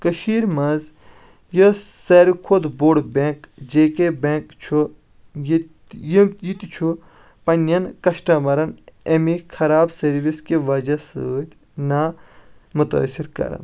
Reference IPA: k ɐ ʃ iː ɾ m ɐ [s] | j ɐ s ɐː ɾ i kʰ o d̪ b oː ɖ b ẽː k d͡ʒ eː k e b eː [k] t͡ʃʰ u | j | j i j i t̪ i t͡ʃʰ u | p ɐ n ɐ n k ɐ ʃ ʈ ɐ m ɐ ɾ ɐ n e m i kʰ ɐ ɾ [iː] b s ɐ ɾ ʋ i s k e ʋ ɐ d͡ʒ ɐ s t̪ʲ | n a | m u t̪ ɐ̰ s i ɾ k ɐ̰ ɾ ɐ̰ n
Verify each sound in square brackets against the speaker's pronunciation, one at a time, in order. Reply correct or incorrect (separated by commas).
incorrect, correct, incorrect